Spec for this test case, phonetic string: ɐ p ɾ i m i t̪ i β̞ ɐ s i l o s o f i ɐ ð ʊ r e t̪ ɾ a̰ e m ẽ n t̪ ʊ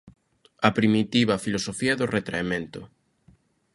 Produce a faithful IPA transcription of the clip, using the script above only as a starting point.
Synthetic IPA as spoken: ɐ p ɾ i m i t̪ i β̞ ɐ f i l o s o f i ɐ ð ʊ r e t̪ ɾ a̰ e m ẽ n t̪ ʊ